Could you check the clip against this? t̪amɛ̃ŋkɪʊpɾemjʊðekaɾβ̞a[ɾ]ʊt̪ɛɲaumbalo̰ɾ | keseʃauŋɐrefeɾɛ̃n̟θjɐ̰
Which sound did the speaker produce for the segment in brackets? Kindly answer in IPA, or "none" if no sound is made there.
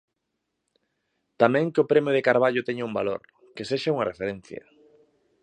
ʎ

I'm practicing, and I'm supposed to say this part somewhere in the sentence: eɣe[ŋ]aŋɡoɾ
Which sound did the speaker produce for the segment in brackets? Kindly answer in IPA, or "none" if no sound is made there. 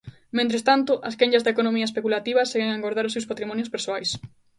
ŋ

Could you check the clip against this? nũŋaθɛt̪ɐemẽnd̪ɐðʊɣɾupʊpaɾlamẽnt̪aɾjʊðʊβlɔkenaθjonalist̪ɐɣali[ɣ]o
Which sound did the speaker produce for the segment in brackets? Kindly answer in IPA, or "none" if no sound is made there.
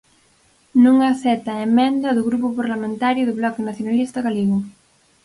ɣ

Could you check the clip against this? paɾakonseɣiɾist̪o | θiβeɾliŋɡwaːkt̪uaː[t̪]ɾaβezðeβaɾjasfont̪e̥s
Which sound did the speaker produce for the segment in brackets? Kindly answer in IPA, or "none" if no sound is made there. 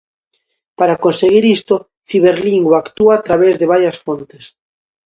t̪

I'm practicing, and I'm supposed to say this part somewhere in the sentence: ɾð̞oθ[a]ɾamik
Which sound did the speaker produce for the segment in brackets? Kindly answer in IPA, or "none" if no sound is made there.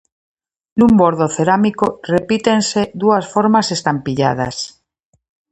e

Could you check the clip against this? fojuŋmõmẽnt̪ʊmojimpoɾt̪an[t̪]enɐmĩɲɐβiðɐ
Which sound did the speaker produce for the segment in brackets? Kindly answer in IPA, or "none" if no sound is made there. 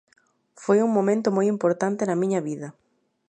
t̪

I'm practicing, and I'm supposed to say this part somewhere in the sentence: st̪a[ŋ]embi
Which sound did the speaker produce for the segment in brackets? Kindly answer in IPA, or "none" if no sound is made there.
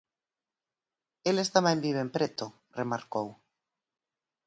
m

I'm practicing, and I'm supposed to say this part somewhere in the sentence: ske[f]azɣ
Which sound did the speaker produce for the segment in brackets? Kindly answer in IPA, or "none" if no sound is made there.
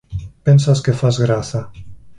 f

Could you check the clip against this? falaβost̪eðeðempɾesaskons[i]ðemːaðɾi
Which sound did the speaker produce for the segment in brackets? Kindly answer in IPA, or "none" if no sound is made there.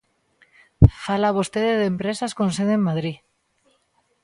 e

